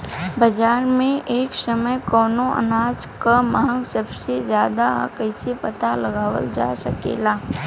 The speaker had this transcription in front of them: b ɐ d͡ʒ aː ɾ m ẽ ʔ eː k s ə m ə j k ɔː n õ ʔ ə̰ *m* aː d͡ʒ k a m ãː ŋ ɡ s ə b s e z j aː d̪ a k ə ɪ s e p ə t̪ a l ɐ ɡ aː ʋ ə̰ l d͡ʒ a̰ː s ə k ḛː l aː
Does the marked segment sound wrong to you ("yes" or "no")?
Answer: yes